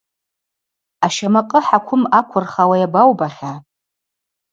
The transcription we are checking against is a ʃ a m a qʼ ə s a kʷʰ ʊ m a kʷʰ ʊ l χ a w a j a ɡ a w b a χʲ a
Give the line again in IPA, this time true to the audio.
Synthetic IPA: a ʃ a m a qʼ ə ħ a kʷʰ ʊ m a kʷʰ ʊ r χ a w a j a b a w b a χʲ a